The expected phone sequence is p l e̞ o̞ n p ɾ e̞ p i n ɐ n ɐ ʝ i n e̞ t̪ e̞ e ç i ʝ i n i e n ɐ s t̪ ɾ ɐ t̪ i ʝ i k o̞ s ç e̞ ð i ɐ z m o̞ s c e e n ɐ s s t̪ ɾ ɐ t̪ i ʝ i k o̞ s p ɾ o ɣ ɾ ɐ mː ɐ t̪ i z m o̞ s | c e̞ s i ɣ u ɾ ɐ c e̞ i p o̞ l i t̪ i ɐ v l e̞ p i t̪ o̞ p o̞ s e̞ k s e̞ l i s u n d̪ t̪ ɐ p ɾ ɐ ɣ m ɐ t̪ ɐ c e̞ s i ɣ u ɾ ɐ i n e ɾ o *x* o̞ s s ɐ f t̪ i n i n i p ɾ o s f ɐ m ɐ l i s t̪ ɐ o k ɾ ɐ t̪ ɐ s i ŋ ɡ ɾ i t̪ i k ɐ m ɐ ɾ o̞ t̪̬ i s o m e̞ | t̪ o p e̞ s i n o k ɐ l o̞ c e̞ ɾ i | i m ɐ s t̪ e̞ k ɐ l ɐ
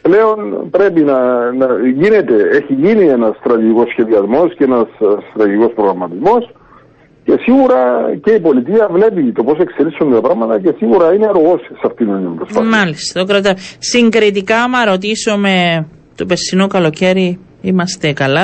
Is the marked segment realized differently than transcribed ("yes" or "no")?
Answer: yes